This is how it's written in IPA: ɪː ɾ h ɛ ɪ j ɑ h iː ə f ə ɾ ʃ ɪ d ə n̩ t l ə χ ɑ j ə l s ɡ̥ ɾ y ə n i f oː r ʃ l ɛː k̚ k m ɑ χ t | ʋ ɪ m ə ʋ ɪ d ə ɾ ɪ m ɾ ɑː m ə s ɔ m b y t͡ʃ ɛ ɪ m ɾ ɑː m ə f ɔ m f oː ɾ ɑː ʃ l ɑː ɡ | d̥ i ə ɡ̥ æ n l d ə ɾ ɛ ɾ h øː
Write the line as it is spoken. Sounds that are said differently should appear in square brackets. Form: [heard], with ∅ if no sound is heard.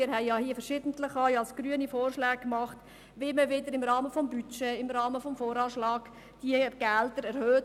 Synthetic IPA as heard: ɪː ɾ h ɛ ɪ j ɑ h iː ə f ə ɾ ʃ ɪ d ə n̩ t l ə χ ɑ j [ɑ] l s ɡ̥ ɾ y ə n i f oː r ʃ l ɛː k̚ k m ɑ χ t | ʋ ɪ m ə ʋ ɪ d ə ɾ ɪ m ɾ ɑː m ə [f] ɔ m b y t͡ʃ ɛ ɪ m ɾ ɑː m ə f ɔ m f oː ɾ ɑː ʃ l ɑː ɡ | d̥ i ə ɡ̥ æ [∅] l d ə ɾ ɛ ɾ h øː